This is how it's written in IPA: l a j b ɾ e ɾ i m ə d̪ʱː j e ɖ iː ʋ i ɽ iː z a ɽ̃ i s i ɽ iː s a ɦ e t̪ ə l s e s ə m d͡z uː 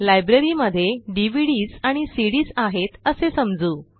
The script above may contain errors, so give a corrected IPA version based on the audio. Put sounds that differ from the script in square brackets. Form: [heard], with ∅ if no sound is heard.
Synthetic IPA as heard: l a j b ɾ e ɾ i m ə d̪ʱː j e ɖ [i] ʋ i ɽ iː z a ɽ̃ i s i ɽ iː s a ɦ e t̪ ə [∅] s e s ə m d͡z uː